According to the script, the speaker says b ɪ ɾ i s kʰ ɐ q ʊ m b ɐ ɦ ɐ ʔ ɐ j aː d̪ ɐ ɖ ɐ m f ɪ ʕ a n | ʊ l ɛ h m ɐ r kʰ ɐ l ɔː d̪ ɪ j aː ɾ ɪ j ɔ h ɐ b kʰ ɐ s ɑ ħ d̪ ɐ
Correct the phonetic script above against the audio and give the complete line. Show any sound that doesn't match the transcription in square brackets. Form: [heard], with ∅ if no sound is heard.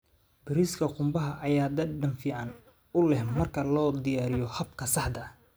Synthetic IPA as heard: b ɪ ɾ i s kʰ ɐ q ʊ m b ɐ ɦ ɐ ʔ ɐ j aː d̪ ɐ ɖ ɐ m f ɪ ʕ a n | ʊ l ɛ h m ɐ r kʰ ɐ l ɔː d̪ ɪ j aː ɾ ɪ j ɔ h ɐ b kʰ ɐ s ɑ ħ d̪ ɐ